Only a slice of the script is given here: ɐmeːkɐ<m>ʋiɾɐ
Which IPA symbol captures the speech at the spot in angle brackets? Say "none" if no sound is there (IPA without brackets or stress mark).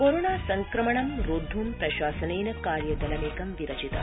m